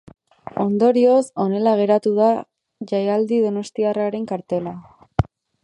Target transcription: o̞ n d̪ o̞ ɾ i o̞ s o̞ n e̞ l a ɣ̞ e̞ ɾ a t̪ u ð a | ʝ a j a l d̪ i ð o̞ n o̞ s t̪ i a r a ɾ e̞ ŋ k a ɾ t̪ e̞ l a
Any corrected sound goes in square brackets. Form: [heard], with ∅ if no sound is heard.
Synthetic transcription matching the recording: o̞ n d̪ o̞ ɾ i o̞ s o̞ n e̞ l a ɣ̞ e̞ ɾ a t̪ u ð a | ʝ a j a l d̪ i ð o̞ n o̞ s t̪ i a r a ɾ e̞ ŋ k a ɾ t̪ e̞ l a